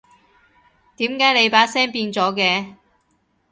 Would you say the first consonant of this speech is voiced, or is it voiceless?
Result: voiceless